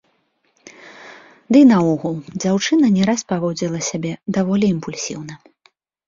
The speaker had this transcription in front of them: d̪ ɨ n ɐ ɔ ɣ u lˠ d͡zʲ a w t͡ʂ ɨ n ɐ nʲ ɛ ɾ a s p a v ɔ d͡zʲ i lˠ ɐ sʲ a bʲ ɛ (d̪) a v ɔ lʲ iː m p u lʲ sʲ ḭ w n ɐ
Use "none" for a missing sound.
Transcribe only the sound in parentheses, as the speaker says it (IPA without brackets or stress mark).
d̪